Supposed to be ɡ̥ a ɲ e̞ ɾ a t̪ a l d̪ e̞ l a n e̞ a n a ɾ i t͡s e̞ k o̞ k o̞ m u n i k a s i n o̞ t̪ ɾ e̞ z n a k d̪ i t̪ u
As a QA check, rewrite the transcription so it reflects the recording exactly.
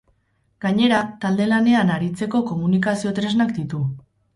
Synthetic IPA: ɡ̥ a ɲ e̞ ɾ a t̪ a l d̪ e̞ l a n e̞ a n a ɾ i t͡s e̞ k o̞ k o̞ m u n i k a s i o̞ t̪ ɾ e̞ z n a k d̪ i t̪ u

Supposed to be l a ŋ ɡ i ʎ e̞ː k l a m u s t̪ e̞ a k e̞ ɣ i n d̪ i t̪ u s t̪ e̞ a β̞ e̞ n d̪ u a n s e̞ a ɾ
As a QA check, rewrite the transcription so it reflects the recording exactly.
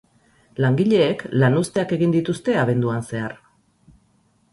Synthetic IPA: l a ŋ ɡ i ʎ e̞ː k l a n u s t̪ e̞ a k e̞ ɣ i n d̪ i t̪ u s t̪ e̞ a β̞ e̞ n d̪ u a n s e̞ a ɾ

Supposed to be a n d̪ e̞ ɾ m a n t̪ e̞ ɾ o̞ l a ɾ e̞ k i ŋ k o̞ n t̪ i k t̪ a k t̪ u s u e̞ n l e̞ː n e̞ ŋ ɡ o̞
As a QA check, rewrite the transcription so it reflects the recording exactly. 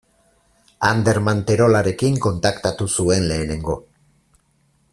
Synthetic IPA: a n d̪ e̞ ɾ m a n t̪ e̞ ɾ o̞ l a ɾ e̞ k i ŋ k o̞ n t̪ a k t̪ a t̪ u s u e̞ n l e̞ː n e̞ ŋ ɡ o̞

